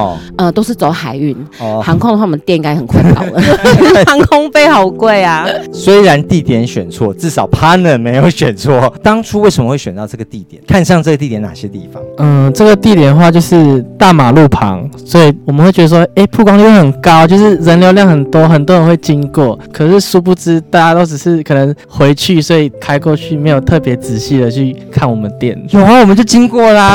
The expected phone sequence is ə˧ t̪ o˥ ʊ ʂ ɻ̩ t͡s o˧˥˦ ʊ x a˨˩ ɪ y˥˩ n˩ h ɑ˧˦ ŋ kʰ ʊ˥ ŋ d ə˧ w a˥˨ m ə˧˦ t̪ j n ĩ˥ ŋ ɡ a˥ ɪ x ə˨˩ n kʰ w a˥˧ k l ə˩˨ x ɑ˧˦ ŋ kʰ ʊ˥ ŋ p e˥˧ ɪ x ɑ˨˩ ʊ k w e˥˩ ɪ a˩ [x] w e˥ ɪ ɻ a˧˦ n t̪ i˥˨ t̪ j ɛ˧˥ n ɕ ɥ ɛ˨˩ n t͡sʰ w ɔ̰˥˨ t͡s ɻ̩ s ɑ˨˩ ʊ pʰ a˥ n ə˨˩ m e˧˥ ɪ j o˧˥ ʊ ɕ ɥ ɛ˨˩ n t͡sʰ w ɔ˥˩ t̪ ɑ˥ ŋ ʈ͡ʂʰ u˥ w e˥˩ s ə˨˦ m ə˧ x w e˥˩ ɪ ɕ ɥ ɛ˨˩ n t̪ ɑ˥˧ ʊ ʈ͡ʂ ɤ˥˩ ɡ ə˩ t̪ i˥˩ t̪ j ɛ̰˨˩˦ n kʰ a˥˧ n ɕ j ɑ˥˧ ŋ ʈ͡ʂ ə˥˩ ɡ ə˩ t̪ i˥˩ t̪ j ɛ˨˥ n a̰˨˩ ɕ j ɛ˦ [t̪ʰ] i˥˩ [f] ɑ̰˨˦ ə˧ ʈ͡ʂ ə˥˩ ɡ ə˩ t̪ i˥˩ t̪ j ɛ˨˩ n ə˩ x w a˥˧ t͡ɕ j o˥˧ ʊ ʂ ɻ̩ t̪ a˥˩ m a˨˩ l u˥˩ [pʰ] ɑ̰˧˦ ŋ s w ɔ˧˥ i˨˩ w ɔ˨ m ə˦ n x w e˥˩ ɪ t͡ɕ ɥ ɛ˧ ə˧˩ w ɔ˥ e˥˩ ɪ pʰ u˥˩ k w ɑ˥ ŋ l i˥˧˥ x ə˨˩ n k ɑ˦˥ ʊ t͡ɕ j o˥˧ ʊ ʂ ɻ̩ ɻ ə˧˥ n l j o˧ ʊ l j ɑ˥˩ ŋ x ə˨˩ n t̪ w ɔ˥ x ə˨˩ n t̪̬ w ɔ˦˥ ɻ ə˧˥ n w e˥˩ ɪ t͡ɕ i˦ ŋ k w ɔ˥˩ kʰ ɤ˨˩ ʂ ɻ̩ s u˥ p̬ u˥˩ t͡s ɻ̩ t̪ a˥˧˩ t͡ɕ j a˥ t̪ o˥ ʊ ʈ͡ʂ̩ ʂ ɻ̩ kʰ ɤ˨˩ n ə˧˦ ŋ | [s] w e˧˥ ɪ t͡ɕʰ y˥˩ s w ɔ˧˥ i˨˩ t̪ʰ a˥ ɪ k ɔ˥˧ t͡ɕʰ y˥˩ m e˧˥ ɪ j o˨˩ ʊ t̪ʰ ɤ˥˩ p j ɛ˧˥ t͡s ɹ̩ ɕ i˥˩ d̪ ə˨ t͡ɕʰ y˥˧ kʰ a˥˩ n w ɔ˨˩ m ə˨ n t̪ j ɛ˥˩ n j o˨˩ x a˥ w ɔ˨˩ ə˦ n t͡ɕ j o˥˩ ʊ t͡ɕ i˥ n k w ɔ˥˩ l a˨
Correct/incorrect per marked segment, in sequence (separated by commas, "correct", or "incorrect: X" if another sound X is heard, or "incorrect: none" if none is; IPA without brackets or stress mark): incorrect: s, incorrect: t̪, correct, correct, incorrect: x